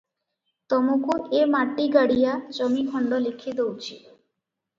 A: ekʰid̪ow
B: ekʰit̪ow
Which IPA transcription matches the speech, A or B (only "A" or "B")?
A